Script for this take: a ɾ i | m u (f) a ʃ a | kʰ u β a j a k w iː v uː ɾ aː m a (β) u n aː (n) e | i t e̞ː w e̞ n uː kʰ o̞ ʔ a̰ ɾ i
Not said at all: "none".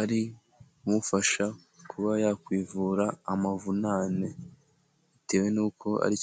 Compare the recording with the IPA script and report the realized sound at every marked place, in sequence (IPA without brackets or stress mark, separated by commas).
f, v, n